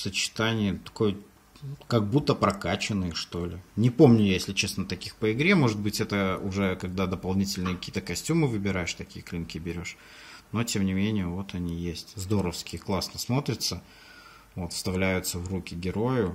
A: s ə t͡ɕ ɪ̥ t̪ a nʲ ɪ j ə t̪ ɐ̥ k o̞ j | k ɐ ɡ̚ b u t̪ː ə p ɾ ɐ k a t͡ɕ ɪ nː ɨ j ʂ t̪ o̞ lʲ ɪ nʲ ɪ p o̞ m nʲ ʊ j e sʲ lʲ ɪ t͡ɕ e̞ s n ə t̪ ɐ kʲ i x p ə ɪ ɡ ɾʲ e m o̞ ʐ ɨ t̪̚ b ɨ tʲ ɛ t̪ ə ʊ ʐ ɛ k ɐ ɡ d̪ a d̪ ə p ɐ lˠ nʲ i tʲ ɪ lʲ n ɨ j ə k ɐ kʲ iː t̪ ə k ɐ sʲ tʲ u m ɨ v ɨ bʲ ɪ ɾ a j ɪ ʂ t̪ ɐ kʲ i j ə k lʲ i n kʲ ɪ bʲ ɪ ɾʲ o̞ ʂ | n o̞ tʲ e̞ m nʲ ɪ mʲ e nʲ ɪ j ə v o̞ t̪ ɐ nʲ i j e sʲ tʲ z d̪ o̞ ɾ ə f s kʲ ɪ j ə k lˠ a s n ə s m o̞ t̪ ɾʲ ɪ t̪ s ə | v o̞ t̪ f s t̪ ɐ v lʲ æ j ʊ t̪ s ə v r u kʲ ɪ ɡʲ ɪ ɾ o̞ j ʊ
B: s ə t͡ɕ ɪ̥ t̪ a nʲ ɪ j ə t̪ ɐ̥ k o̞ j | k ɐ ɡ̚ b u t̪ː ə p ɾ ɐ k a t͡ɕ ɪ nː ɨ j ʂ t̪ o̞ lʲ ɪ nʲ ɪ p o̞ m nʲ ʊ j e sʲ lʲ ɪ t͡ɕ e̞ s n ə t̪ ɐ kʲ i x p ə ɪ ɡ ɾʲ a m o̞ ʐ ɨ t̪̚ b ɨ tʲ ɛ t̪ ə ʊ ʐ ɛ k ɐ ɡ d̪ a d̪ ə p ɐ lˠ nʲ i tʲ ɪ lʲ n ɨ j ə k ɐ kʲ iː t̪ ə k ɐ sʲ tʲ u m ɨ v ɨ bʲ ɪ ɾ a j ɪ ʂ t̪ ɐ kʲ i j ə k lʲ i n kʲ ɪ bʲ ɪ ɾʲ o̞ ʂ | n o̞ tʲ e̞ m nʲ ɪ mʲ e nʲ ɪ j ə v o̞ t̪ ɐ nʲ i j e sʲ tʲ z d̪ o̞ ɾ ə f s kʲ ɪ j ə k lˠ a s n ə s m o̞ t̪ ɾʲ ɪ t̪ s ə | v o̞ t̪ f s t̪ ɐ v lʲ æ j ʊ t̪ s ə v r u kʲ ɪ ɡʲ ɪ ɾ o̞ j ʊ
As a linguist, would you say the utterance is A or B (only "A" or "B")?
A